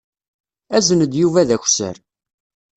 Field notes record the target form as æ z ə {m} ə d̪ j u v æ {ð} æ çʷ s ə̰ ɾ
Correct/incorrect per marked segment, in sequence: incorrect: n, correct

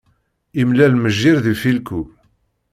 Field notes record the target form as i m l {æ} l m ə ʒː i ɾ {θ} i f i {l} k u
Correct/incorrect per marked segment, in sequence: correct, incorrect: ð, correct

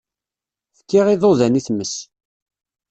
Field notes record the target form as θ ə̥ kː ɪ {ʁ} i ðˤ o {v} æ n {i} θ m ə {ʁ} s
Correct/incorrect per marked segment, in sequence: correct, incorrect: ð, correct, incorrect: none

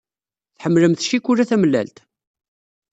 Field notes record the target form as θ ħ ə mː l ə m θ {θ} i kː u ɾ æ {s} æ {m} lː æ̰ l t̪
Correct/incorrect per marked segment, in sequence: incorrect: ʃ, incorrect: θ, correct

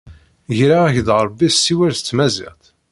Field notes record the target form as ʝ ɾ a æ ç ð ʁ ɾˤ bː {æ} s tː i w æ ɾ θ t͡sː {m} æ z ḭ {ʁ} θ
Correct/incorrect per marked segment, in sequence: incorrect: i, correct, correct

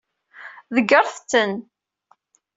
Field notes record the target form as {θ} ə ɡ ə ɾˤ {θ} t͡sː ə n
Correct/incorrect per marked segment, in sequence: incorrect: ð, correct

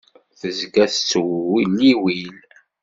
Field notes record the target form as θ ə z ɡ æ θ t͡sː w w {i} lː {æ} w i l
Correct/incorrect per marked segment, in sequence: correct, incorrect: i

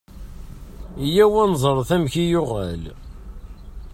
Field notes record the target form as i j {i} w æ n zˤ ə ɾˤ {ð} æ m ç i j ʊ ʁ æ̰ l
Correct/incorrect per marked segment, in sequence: incorrect: æ, incorrect: θ

